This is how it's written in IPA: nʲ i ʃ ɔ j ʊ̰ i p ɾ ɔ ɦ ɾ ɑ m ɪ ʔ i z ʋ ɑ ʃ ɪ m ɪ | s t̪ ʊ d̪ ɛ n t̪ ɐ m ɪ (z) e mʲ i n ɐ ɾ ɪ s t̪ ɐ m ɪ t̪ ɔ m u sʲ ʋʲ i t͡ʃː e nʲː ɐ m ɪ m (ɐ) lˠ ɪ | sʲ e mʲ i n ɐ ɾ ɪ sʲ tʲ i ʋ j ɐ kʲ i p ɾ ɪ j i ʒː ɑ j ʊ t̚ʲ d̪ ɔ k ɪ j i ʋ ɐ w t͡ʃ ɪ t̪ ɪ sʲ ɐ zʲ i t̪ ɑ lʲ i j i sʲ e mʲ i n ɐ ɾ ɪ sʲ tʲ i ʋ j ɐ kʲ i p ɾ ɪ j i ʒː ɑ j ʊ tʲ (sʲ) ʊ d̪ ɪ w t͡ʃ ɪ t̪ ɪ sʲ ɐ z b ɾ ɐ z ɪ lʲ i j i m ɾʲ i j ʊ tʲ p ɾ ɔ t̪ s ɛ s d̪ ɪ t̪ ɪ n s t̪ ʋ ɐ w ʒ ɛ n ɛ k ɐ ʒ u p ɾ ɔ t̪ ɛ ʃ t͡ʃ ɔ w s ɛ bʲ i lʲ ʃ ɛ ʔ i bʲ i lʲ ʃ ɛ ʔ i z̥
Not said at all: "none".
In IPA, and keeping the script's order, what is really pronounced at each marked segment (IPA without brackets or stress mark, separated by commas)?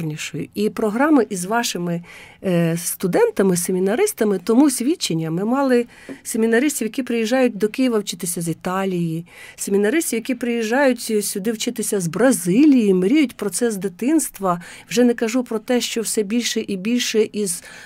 s, ɑ, sʲ